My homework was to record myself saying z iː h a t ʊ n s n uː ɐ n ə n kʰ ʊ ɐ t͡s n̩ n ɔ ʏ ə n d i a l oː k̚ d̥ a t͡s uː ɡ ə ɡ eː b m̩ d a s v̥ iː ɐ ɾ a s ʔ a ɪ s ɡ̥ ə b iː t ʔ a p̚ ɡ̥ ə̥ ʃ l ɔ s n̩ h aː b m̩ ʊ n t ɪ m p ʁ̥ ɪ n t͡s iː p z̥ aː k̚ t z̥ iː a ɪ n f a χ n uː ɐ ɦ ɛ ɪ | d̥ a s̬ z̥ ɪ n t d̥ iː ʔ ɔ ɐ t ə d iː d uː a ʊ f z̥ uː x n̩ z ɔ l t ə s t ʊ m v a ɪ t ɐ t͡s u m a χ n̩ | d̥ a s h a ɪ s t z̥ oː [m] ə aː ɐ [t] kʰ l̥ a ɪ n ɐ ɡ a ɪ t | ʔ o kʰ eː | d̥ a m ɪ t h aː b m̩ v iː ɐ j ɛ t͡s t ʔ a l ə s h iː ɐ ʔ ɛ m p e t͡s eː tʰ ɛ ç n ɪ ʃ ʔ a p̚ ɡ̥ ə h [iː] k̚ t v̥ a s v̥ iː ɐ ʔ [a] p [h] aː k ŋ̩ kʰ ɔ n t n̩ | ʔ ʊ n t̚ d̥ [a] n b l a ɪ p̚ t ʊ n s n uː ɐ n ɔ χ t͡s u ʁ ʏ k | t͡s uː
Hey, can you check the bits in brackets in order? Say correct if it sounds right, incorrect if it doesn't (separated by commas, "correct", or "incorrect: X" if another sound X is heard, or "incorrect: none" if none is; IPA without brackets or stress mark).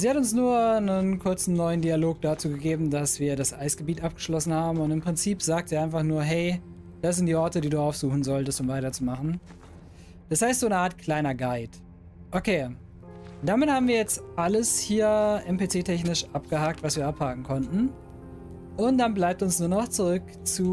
incorrect: n, correct, incorrect: aː, correct, correct, correct